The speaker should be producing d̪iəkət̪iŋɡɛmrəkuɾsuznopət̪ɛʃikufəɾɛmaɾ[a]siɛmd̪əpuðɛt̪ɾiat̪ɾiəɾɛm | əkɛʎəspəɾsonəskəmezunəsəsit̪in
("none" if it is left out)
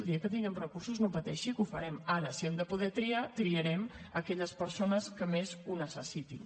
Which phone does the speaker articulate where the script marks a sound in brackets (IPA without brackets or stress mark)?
ə